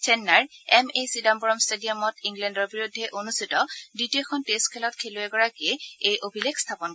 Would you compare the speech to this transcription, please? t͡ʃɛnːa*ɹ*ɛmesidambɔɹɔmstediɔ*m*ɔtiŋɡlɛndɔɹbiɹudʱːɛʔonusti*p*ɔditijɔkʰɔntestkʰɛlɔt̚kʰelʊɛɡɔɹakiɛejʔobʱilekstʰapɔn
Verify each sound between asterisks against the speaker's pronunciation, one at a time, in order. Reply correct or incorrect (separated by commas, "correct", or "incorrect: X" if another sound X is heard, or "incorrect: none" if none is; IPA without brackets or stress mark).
correct, correct, incorrect: t